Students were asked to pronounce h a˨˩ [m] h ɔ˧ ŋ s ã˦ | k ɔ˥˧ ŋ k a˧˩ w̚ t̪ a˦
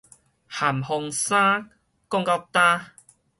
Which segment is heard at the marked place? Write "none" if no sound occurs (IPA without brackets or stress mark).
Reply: m